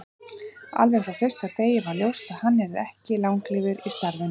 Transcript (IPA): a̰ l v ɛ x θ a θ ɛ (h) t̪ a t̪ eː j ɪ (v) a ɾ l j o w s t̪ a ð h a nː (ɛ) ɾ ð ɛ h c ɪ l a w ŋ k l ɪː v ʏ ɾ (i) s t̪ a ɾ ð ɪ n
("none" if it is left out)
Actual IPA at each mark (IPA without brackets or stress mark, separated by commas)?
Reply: s, v, ɛ, i